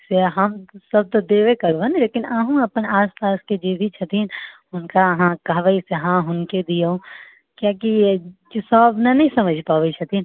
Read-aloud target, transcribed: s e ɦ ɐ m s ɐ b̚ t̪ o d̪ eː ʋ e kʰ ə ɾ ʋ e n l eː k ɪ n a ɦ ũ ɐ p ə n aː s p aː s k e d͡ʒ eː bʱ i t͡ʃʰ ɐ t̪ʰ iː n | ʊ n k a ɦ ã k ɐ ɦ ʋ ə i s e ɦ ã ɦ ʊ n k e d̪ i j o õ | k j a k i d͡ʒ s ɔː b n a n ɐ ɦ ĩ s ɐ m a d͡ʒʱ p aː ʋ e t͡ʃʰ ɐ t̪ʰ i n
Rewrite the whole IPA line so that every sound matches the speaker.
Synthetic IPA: s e ɦ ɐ m s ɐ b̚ t̪ o d̪ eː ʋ e k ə ɾ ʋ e n l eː k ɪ n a ɦ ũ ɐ p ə n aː s p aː s k e d͡ʒ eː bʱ i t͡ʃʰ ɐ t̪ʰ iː n | ʊ n k a ɦ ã k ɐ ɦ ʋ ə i s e ɦ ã ɦ ʊ n k e d̪ i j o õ | k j a k i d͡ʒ s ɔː b n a n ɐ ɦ ĩ s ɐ m ə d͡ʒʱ p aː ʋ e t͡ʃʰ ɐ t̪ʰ i n